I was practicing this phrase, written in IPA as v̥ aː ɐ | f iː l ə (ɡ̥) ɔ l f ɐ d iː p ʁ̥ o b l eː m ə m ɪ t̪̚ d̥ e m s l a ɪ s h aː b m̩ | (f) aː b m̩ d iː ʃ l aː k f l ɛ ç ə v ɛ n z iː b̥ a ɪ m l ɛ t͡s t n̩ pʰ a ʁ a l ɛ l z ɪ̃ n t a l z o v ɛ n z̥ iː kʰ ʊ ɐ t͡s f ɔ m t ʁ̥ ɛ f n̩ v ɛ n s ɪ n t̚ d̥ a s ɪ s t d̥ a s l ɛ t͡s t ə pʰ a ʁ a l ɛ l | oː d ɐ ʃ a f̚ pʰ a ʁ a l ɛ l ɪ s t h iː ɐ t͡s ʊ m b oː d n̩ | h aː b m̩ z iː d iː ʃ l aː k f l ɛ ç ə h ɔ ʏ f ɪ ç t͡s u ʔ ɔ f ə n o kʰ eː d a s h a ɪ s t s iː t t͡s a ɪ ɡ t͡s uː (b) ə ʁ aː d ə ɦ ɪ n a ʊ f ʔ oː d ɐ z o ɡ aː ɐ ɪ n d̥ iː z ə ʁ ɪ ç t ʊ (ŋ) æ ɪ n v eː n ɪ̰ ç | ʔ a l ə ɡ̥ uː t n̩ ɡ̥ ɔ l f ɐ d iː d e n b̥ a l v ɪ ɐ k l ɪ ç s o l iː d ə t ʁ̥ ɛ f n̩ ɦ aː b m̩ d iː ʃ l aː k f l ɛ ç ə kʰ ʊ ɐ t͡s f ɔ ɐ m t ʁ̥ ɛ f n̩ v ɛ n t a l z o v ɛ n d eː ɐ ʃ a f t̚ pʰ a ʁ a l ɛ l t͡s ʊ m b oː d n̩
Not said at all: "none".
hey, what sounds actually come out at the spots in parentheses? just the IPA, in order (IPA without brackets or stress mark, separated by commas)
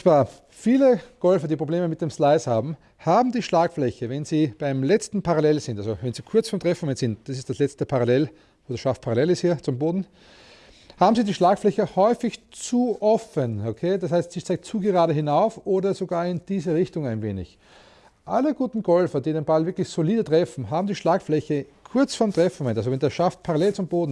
ɡ̥, h, ɡ, ŋ